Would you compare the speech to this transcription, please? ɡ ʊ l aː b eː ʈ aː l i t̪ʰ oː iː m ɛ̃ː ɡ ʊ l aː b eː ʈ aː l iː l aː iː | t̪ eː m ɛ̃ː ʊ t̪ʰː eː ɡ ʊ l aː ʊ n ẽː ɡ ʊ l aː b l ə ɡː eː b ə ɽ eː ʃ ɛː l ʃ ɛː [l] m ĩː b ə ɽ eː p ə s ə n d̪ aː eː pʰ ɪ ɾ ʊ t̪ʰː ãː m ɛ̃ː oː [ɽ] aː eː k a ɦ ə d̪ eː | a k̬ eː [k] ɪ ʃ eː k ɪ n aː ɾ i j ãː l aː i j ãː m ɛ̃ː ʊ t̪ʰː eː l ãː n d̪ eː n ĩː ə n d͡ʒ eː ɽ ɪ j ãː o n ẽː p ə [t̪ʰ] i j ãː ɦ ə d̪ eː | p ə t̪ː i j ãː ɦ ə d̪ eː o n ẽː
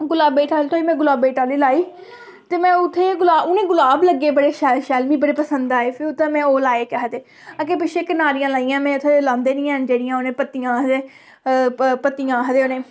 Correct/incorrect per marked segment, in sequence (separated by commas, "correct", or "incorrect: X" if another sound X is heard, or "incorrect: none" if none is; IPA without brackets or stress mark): correct, incorrect: l, incorrect: p, incorrect: t̪